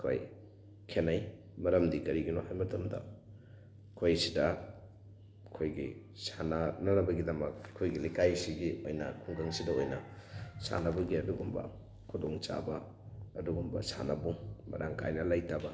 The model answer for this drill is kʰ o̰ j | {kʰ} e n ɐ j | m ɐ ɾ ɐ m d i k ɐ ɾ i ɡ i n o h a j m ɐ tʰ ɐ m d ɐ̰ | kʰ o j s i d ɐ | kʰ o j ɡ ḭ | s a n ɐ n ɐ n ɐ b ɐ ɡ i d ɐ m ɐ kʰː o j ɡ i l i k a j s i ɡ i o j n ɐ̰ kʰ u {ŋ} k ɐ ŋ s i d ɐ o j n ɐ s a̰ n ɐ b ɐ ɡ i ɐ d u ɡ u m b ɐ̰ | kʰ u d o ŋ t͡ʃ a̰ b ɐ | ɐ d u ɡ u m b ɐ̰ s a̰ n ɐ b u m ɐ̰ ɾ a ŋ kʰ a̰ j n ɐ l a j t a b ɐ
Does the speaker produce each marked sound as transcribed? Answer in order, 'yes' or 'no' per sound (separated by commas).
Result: yes, yes